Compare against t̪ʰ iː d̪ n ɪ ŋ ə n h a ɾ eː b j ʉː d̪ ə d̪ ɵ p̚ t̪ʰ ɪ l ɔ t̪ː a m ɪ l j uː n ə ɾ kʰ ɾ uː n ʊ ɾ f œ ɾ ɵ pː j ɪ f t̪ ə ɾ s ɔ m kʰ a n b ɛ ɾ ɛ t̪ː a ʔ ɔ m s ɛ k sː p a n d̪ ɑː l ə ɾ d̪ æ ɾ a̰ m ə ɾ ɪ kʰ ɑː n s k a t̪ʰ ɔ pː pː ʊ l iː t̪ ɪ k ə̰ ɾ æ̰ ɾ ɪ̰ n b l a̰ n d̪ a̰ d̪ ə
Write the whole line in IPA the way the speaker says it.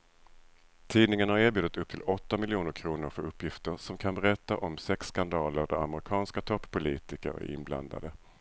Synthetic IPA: t̪ʰ iː d̪ n ɪ ŋ ə n h a ɾ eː b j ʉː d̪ ə t̪ ɵ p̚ t̪ʰ ɪ l ɔ t̪ː a m ɪ l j uː n ə ɾ kʰ ɾ uː n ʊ ɾ f œ ɾ ɵ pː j ɪ f t̪ ə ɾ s ɔ m kʰ a n b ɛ ɾ ɛ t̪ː a ʔ ɔ m s ɛ k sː k a n d̪ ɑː l ə ɾ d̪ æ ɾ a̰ m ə ɾ ɪ kʰ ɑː n s k a t̪ʰ ɔ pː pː ʊ l iː t̪ ɪ k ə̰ ɾ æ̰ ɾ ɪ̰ n b l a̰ n d̪ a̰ d̪ ə